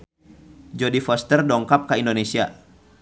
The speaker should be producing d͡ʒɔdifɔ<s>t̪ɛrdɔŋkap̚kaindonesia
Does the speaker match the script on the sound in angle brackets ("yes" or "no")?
yes